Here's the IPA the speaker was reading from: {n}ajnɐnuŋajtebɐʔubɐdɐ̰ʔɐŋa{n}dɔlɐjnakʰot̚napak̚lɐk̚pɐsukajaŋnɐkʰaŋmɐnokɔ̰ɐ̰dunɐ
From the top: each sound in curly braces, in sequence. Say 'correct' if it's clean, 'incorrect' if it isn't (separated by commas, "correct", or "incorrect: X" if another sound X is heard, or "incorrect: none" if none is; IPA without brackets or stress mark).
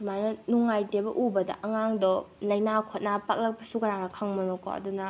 incorrect: m, incorrect: ŋ